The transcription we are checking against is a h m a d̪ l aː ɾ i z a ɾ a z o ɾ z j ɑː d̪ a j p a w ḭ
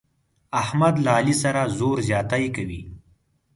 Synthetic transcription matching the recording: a h m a d̪ l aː l i s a ɾ a z o ɾ z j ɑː t̪ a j k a w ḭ